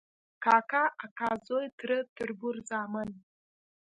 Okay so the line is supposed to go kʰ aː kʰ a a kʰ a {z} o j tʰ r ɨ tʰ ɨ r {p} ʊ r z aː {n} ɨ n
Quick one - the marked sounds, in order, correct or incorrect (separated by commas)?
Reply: correct, incorrect, incorrect